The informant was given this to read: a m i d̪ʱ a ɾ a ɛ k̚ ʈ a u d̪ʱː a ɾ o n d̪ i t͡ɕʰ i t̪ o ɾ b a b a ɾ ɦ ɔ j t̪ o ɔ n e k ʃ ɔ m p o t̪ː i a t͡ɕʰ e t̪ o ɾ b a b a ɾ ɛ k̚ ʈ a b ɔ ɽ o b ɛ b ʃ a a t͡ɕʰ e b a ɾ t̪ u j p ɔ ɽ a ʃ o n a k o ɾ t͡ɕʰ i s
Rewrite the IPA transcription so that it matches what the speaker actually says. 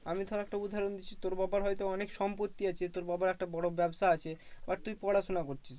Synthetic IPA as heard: a m i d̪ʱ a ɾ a ɛ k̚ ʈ a u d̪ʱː a ɾ o n d̪ i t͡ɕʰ i t̪ o ɾ b a b a ɾ ɦ ɔ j t̪ o ɔ n e k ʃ ɔ m p o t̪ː i a t͡ɕʰ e t̪ o ɾ b a b a ɾ ɛ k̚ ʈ a b ɔ ɽ o b ɛ b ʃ a a t͡ɕʰ e b a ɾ t̪ u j p ɔ ɽ a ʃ o n a k o ɾ t͡ɕʰ i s